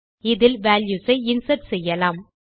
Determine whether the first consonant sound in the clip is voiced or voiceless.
voiced